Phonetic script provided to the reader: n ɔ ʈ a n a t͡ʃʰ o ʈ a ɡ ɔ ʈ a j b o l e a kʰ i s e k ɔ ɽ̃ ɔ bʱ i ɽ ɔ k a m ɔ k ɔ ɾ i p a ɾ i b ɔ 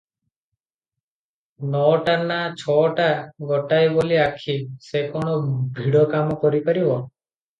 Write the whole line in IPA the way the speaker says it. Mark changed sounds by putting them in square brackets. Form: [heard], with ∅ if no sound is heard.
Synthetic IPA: n ɔ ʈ a n a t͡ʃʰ [ɔ] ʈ a ɡ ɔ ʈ a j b o l [i] a kʰ i s e k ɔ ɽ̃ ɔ bʱ i ɽ ɔ k a m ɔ k ɔ ɾ i p a ɾ i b ɔ